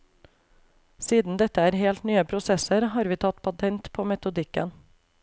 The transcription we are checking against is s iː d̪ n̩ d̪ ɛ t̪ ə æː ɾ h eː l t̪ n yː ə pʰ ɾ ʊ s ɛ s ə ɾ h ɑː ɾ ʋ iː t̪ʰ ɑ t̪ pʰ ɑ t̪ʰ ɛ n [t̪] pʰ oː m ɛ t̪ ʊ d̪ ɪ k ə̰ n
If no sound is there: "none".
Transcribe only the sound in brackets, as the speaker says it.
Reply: t̪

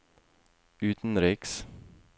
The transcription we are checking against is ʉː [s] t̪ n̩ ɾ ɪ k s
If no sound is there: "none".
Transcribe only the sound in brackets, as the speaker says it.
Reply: none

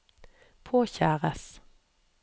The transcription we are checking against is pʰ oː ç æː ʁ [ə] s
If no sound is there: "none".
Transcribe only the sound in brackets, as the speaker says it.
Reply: ə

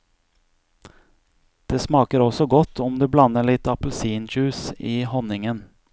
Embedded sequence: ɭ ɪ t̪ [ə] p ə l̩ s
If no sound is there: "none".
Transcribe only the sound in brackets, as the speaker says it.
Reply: ɑ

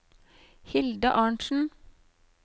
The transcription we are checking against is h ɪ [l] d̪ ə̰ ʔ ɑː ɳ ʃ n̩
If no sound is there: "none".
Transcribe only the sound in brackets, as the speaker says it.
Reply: l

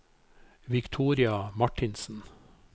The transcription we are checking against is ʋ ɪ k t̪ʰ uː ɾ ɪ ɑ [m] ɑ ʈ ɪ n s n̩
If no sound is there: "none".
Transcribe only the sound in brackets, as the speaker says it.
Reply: m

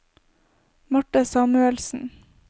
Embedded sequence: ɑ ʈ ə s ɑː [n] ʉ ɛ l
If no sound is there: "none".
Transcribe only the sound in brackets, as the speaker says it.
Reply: m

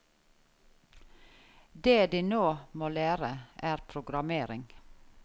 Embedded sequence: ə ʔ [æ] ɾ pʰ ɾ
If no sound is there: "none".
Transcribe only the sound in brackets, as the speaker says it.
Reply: æː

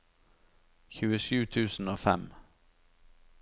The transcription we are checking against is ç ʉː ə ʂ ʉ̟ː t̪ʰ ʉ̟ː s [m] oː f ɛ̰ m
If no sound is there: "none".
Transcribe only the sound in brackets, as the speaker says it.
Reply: n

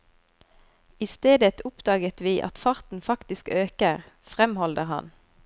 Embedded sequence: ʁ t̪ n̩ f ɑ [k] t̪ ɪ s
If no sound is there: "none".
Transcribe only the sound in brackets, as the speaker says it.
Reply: k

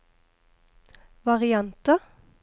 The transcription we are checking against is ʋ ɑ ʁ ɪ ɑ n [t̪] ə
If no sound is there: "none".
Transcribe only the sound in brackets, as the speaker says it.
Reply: t̪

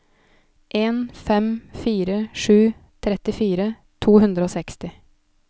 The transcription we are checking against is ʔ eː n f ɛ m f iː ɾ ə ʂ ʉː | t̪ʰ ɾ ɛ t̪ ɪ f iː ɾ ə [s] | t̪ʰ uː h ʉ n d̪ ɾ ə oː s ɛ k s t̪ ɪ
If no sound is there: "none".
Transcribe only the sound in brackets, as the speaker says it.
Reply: none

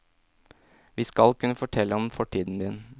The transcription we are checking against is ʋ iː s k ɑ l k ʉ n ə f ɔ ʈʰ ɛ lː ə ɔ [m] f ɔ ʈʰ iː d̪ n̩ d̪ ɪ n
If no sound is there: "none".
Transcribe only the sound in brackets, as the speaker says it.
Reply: m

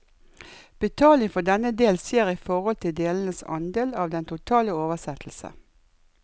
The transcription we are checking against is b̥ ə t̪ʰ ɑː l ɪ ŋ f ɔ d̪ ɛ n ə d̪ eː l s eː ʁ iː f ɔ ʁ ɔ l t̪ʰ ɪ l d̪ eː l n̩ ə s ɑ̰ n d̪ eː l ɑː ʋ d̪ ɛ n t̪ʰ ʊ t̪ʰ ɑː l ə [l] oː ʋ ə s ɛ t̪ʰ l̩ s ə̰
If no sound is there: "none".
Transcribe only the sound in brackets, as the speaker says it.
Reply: none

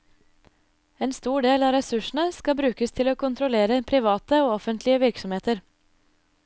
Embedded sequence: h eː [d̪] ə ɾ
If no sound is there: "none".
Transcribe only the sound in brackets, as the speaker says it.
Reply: t̪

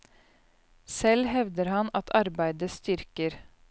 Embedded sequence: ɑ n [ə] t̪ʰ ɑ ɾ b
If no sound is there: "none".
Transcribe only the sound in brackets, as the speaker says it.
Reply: ɑ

